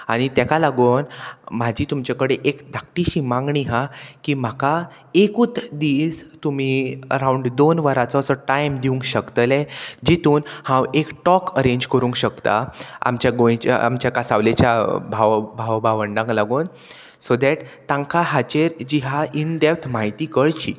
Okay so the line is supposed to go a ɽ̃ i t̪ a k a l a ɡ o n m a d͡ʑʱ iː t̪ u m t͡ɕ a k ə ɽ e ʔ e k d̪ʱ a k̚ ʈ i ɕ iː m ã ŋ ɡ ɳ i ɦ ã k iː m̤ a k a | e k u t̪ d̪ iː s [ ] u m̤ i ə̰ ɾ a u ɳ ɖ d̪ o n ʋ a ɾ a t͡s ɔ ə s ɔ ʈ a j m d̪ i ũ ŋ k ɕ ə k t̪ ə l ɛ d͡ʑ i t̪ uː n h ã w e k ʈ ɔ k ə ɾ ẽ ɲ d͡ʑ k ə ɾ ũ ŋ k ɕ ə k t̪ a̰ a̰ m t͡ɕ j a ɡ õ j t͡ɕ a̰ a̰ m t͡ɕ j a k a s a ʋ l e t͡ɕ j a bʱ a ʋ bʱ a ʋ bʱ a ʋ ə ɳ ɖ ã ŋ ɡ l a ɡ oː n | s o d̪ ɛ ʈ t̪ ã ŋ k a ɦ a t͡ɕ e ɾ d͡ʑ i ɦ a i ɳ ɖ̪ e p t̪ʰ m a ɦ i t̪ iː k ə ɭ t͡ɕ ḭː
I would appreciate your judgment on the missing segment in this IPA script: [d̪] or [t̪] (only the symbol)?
t̪